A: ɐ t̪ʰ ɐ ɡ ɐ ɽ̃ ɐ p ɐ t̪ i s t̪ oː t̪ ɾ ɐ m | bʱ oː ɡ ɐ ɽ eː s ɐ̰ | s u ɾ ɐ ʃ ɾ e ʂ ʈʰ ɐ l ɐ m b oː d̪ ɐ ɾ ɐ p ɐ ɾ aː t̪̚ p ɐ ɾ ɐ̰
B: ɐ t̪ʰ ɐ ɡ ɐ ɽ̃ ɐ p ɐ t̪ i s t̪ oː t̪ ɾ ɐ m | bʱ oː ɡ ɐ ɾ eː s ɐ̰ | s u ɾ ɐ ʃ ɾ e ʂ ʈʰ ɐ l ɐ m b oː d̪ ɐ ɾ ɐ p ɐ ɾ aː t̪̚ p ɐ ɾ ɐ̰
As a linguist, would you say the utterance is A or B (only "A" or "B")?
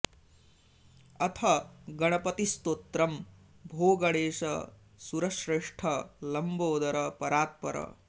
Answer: A